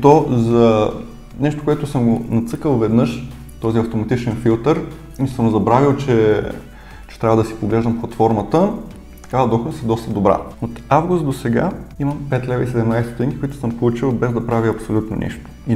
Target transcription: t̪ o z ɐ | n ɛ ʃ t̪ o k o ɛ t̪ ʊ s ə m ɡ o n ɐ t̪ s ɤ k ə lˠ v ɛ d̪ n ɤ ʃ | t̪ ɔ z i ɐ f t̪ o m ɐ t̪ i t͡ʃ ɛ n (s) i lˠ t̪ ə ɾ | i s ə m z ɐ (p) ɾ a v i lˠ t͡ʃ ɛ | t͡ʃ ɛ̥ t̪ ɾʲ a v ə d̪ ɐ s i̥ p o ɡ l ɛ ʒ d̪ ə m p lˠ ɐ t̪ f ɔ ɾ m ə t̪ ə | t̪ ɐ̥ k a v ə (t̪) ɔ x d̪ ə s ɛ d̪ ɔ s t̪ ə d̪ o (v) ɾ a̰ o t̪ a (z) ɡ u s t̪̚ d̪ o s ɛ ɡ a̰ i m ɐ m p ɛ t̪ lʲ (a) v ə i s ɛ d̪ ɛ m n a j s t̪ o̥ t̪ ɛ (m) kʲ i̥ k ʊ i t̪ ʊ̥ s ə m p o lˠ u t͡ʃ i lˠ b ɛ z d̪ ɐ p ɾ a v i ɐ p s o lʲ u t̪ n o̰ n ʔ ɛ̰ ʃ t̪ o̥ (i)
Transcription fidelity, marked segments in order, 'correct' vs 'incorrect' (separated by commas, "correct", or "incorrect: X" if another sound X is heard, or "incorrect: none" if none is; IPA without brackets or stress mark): incorrect: f, incorrect: b, incorrect: d̪, incorrect: b, incorrect: v, incorrect: ɛ, incorrect: ŋ, correct